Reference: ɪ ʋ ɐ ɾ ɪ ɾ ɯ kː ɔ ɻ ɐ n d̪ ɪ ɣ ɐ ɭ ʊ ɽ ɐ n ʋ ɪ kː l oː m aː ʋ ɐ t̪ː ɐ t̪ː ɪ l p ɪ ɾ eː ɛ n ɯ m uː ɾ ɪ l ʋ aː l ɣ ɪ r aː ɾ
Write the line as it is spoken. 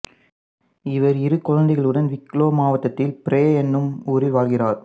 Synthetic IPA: ɪ ʋ ɐ ɾ ɪ ɾ ɯ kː ɔ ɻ ɐ n d̪ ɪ ɣ ɐ ɭ ɯ ɽ ɐ n ʋ ɪ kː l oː m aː ʋ ɐ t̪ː ɐ t̪ː ɪ l p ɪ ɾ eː ɛ nː ɯ m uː ɾ ɪ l ʋ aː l ɣ ɪ r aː ɾ

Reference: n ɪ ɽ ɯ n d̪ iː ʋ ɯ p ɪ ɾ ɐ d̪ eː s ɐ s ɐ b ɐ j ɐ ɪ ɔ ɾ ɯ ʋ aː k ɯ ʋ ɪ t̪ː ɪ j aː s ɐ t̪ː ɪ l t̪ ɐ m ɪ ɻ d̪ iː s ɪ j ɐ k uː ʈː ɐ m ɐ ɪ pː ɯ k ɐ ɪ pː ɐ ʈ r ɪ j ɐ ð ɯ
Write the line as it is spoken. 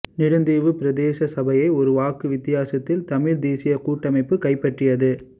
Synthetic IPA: n ɪ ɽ ɯ n d̪ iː ʋ ɯ p ɪ ɾ ɐ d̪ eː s ɐ s ɐ b ɐ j ɐ ɪ ɔ ɾ ɯ ʋ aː k ɯ ʋ ɪ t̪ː ɪ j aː s ɐ t̪ː ɪ l t̪ ɐ m ɪ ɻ d̪ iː s ɪ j ɐ k uː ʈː ɐ m ɐ ɪ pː ɯ k ɐ ɪ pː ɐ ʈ r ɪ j ɐ ð ɯ

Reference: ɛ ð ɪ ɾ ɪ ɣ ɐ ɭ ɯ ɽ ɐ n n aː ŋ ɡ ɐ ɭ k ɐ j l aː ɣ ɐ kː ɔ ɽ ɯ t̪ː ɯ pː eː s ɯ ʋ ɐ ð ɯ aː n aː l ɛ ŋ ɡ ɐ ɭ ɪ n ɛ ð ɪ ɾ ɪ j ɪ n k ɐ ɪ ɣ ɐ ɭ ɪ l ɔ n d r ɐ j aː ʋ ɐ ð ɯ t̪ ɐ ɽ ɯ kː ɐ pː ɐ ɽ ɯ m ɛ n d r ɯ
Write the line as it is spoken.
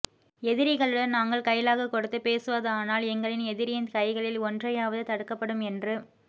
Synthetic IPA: ɛ ð ɪ ɾ ɪ ɣ ɐ ɭ ɯ ɽ ɐ n n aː ŋ ɡ ɐ ɭ k ɐ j l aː ɣ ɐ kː ɔ ɽ ɯ t̪ː ɯ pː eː s ɯ ʋ ɐ ð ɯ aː n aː l ɛ ŋ ɡ ɐ ɭ ɪ n ɛ ð ɪ ɾ ɪ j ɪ n k ɐ ɪ ɣ ɐ ɭ ɪ l ɔ n d r ɐ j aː ʋ ɐ ð ɯ t̪ ɐ ɽ ɯ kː ɐ pː ɐ ɽ ɯ m ɛ n d r ɯ

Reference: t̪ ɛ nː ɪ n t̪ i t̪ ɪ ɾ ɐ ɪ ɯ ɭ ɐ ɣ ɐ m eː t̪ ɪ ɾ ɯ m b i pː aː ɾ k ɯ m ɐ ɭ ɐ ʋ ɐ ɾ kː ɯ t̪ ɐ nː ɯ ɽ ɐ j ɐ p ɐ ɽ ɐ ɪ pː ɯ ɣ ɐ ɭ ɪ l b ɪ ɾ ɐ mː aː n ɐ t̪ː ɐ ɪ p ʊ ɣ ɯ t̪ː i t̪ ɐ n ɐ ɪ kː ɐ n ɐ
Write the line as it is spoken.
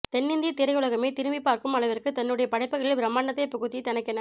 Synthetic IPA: t̪ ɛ nː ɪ n d̪ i t̪ ɪ ɾ ɐ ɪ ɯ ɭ ɐ ɣ ɐ m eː t̪ ɪ ɾ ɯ m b i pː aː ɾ k ɯ m ɐ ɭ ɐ ʋ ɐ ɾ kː ɯ t̪ ɐ nː ɯ ɽ ɐ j ɐ p ɐ ɽ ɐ ɪ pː ɯ ɣ ɐ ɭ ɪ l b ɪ ɾ ɐ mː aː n ɐ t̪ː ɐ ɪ p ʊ ɣ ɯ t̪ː i t̪ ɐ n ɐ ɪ kː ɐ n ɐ

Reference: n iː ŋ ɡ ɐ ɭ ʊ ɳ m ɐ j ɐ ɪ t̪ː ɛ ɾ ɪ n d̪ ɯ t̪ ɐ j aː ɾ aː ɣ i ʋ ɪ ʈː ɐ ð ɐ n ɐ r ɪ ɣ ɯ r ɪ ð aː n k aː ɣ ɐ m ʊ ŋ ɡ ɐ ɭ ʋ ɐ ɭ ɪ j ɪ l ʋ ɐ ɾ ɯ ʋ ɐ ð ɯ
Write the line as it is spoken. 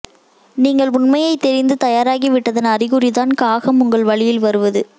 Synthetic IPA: n iː ŋ ɡ ɐ ɭ ʊ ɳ m ɐ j ɐ ɪ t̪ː ɛ ɾ ɪ n d̪ ɯ t̪ ɐ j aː ɾ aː ɣ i ʋ ɪ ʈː ɐ ð ɐ n ɐ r ɪ ɣ ɯ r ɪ ð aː n k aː ɣ ɐ m ʊ ŋ ɡ ɐ ɭ ʋ ɐ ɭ ɪ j ɪ l ʋ ɐ ɾ ɯ ʋ ɐ ð ɯ

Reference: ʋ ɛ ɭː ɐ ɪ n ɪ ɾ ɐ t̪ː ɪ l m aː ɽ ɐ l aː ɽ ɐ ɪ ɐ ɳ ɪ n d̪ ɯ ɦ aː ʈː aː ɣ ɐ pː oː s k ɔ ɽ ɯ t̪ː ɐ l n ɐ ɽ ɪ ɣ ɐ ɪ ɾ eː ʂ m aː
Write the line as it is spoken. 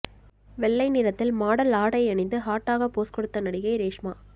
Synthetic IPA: ʋ ɛ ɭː ɐ ɪ n ɪ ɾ ɐ t̪ː ɪ l m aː ɽ ɐ l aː ɽ ɐ ɪ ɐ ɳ ɪ n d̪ ɯ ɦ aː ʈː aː ɣ ɐ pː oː s k ɔ ɽ ɯ t̪ː ɐ n ɐ ɽ ɪ ɣ ɐ ɪ ɾ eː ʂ m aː

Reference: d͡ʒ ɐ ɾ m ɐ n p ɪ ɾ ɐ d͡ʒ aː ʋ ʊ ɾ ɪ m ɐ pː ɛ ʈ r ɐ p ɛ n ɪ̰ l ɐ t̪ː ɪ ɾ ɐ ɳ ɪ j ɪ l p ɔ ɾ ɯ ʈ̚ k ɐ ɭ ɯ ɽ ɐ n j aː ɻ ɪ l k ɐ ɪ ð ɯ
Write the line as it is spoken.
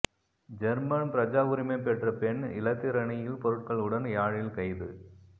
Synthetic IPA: d͡ʒ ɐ ɾ m ɐ n p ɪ ɾ ɐ d͡ʒ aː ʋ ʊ ɾ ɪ m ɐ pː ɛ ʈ r ɐ p ɛ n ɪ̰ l ɐ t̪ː ɪ ɾ ɐ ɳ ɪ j ɪ l p ɔ ɾ ɯ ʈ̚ k ɐ ɭ ɯ ɽ ɐ n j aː ɻ ɪ l k ɐ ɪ ð ɯ

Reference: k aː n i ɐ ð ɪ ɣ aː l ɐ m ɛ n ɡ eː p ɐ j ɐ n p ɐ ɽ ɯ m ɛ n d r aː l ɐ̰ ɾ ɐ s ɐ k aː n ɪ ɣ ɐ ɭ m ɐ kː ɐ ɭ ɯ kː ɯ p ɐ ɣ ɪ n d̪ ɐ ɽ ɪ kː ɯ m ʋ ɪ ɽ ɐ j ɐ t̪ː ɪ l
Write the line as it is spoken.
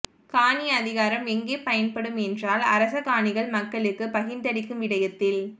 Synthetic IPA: k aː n i ɐ ð ɪ ɣ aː ɾ ɐ m ɛ ŋ ɡ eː p ɐ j ɐ n p ɐ ɽ ɯ m ɛ n d r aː l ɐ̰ ɾ ɐ s ɐ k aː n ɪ ɣ ɐ ɭ m ɐ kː ɐ ɭ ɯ kː ɯ p ɐ ɣ ɪ n d̪ ɐ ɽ ɪ kː ɯ m ʋ ɪ ɽ ɐ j ɐ t̪ː ɪ l

